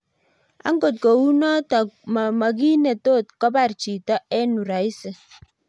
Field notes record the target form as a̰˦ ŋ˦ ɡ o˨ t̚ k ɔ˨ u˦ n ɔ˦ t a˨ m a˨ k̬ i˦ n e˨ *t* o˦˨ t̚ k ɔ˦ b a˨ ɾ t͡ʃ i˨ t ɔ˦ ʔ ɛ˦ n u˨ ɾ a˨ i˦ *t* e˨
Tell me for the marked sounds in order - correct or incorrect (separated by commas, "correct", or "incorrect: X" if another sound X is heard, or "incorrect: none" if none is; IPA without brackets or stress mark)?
correct, incorrect: s